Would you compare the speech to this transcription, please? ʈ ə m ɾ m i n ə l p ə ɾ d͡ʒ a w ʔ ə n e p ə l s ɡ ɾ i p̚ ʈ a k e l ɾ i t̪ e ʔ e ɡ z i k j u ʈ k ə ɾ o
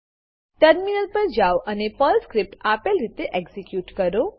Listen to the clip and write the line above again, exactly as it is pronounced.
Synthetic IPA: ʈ ə ɾ m i n ə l p ə ɾ d͡ʒ a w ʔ ə n e p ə l s k ɾ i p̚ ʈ a p e l ɾ i t̪ e ʔ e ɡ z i k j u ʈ k ə ɾ o